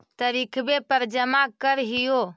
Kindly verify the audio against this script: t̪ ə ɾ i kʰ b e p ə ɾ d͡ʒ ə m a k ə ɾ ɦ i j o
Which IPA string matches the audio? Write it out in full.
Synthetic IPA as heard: t̪ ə ɾ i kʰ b e p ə ɾ d͡ʒ ə m a k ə ɾ ɦ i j o